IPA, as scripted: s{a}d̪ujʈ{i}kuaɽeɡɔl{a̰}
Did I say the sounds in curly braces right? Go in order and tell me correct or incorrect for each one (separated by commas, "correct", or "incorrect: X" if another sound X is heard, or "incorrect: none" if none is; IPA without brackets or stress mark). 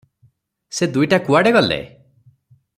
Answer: incorrect: e, incorrect: a, incorrect: ḛ